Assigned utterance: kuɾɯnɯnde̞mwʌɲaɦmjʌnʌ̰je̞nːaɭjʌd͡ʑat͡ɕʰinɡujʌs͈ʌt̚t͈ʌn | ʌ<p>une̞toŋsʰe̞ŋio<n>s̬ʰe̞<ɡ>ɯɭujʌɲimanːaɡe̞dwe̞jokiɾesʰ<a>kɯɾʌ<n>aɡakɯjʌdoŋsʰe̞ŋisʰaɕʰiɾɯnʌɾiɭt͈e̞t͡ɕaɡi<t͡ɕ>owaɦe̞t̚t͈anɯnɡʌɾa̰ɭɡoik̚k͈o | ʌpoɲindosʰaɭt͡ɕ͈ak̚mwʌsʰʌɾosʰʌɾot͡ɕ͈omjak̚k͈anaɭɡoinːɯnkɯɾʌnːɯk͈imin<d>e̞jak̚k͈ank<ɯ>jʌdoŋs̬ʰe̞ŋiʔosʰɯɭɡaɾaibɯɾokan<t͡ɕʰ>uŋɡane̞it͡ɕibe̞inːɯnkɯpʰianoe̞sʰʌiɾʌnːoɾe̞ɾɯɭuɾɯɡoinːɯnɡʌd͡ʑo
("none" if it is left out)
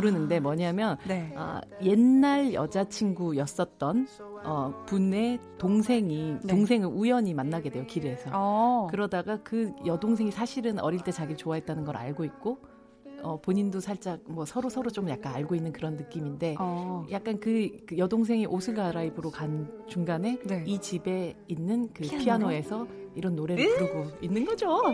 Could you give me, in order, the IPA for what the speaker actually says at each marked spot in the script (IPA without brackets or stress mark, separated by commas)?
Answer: p, ŋ, ŋ, ʌ, d, t͡ɕ, d, ɯ, t͡ɕ